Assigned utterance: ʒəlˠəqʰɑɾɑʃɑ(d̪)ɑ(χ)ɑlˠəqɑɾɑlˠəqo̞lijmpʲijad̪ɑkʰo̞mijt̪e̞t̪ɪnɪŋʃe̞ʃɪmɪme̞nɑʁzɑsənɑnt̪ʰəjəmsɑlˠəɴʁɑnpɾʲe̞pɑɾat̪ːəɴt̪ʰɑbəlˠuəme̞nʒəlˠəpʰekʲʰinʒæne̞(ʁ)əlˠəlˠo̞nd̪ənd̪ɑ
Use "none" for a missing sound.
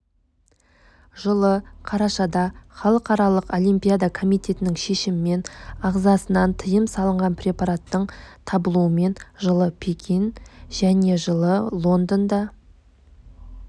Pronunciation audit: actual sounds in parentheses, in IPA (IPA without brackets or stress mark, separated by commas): d̪, χ, ʒ